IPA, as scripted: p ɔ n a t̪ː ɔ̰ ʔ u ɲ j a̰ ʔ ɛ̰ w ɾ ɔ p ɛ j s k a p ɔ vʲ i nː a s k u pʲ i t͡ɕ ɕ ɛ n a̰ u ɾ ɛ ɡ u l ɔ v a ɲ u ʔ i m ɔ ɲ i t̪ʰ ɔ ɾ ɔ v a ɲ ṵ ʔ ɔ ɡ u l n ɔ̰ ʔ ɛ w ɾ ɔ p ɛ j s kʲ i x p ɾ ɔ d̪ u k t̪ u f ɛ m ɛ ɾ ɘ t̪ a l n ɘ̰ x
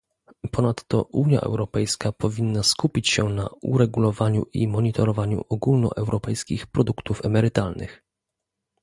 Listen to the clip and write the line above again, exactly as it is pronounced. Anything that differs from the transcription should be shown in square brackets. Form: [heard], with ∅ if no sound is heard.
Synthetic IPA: p ɔ n a t̪ː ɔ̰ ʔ u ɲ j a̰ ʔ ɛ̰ w ɾ ɔ p ɛ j s k a p ɔ vʲ i nː a s k u pʲ i t͡ɕ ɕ ɛ n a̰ u ɾ ɛ ɡ u l ɔ v a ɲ u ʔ i m ɔ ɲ i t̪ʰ ɔ ɾ ɔ v a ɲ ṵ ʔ ɔ ɡ u l n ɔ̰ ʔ ɛ w ɾ ɔ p ɛ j s kʲ i x p ɾ ɔ d̪ u k t̪ u f ɛ m ɛ ɾ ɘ t̪ a l n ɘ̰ x

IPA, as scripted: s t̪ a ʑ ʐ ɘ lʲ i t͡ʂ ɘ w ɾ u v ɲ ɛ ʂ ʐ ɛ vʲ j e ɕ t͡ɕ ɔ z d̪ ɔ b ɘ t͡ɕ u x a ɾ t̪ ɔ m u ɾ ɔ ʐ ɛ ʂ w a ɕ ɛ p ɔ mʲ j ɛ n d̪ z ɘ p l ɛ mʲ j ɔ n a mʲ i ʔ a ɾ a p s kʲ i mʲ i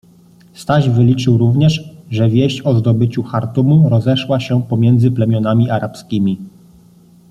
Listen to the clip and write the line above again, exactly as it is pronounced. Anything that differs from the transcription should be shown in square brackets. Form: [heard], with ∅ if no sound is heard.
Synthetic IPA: s t̪ a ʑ [v] ɘ lʲ i t͡ʂ ɘ w ɾ u v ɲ ɛ ʂ ʐ ɛ vʲ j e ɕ t͡ɕ ɔ z d̪ ɔ b ɘ t͡ɕ u x a ɾ t̪ [u] m u ɾ ɔ [z] ɛ ʂ w a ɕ ɛ p ɔ mʲ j ɛ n d̪ z ɘ p l ɛ mʲ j ɔ n a mʲ i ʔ a ɾ a p s kʲ i mʲ i

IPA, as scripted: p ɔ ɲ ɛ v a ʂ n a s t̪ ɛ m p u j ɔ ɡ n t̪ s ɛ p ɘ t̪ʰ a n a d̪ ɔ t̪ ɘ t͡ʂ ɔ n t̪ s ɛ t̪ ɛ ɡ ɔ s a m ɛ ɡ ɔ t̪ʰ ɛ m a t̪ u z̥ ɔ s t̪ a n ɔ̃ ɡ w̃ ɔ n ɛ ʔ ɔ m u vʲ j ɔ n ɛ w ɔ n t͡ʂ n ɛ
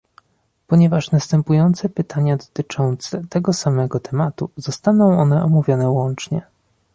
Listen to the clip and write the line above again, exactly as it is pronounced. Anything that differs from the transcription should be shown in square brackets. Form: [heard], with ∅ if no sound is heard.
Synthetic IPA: p ɔ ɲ ɛ v a ʂ n a s t̪ ɛ m p u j ɔ [∅] n t̪ s ɛ p ɘ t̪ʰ a [ɲ] a d̪ ɔ t̪ ɘ t͡ʂ ɔ n t̪ s ɛ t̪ ɛ ɡ ɔ s a m ɛ ɡ ɔ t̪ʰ ɛ m a t̪ u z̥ ɔ s t̪ a n ɔ̃ [∅] w̃ ɔ n ɛ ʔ ɔ m u vʲ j ɔ n ɛ w ɔ n t͡ʂ [ɲ] ɛ

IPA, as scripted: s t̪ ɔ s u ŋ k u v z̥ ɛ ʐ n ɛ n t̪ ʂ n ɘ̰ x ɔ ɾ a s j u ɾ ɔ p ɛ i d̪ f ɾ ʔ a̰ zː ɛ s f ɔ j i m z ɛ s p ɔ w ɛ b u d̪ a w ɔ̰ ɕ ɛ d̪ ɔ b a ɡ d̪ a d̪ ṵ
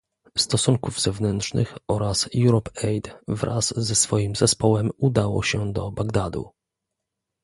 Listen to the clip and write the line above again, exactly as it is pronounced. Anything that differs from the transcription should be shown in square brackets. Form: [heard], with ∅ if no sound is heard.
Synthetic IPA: s t̪ ɔ s u ŋ k u v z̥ ɛ [v] n ɛ n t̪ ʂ n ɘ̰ x ɔ ɾ a s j u ɾ ɔ p ɛ [j] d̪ [v] ɾ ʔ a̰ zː ɛ s f ɔ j i m z ɛ s p ɔ w ɛ [m] u d̪ a w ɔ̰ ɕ ɛ d̪ ɔ b a ɡ d̪ a d̪ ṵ

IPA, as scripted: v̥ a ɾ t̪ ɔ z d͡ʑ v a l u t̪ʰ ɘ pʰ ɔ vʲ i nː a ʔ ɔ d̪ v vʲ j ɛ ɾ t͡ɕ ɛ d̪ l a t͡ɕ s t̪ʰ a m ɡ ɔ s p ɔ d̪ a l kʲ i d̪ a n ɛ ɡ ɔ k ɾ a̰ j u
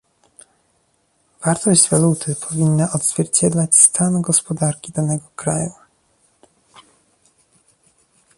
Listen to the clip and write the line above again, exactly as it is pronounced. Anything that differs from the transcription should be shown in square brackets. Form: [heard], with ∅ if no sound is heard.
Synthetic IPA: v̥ a ɾ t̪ ɔ [ʑ] d͡ʑ v a l u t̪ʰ ɘ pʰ ɔ vʲ i nː a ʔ ɔ d̪ [z] vʲ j ɛ ɾ t͡ɕ ɛ d̪ l a t͡ɕ s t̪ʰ a [n] ɡ ɔ s p ɔ d̪ a [ɾ] kʲ i d̪ a n ɛ ɡ ɔ k ɾ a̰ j u

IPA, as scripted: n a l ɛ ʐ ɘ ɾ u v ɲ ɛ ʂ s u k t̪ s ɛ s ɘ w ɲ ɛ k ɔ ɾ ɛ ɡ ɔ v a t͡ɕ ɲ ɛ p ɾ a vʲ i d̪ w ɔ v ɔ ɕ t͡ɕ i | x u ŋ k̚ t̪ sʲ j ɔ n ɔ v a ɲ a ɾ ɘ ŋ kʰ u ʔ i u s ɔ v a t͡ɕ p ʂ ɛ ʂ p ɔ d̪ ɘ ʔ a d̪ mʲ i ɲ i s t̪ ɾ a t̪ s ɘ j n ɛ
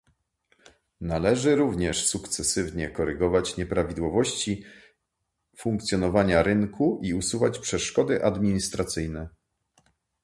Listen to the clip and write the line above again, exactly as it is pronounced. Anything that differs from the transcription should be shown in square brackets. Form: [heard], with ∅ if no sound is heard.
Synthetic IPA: n a l ɛ ʐ ɘ ɾ u v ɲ ɛ ʂ s u k t̪ s ɛ s ɘ [v] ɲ ɛ k ɔ ɾ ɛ ɡ ɔ v a t͡ɕ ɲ ɛ p ɾ a vʲ i d̪ w ɔ v ɔ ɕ t͡ɕ i | [f] u ŋ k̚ t̪ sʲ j ɔ n ɔ v a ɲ a ɾ ɘ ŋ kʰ u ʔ i u s [u] v a t͡ɕ p ʂ ɛ ʂ [k] ɔ d̪ ɘ ʔ a d̪ mʲ i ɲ i s t̪ ɾ a t̪ s ɘ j n ɛ

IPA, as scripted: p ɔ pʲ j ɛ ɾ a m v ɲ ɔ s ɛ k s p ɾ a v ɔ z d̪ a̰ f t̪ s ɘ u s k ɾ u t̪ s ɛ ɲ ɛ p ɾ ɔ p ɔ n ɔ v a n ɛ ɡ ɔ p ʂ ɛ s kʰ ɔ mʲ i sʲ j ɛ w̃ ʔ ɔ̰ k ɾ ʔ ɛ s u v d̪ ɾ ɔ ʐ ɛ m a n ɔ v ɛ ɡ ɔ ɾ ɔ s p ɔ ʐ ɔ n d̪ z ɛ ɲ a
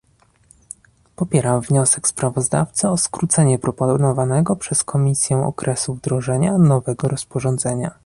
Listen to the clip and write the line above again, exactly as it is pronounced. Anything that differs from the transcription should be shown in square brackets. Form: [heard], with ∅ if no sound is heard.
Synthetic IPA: p ɔ pʲ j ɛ ɾ a m v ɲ ɔ s ɛ k s p ɾ a v ɔ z d̪ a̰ f t̪ s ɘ [ɔ] s k ɾ u t̪ s ɛ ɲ ɛ p ɾ ɔ p ɔ n ɔ v a n ɛ ɡ ɔ p ʂ ɛ s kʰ ɔ mʲ i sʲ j ɛ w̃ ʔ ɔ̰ k ɾ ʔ ɛ s u v d̪ ɾ ɔ ʐ ɛ [ɲ] a n ɔ v ɛ ɡ ɔ ɾ ɔ s p ɔ ʐ ɔ n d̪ z ɛ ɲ a

